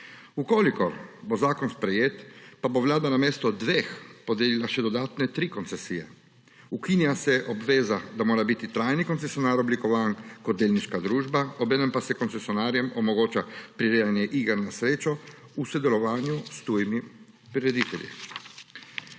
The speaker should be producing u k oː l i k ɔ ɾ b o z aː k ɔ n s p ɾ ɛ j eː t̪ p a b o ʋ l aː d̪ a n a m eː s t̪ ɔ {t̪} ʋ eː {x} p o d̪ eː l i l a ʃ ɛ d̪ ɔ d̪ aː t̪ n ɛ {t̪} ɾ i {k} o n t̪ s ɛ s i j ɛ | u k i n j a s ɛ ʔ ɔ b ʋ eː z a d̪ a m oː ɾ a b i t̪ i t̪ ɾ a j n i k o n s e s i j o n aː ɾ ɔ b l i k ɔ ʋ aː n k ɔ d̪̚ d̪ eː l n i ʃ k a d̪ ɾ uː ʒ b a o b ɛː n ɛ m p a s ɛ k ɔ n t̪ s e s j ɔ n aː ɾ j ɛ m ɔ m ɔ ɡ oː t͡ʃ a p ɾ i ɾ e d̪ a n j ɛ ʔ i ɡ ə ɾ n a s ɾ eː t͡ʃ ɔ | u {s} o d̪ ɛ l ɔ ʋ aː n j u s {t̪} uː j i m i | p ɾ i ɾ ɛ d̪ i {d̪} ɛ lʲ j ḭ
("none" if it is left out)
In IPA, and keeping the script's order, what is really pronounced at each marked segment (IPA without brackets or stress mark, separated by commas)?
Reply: d̪, x, t̪, k, s, t̪, t̪